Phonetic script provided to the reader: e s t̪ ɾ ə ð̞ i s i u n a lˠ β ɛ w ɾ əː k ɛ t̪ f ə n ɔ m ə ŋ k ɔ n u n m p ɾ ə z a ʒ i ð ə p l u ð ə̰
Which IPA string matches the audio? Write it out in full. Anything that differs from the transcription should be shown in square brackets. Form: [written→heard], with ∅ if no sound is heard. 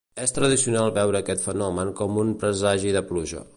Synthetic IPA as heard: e s t̪ ɾ ə ð̞ i s i u n a lˠ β ɛ w ɾ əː k ɛ t̪ f ə n ɔ m ə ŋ k ɔ [n→m] u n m p ɾ ə z a ʒ i ð ə p l u [ð→ʒ] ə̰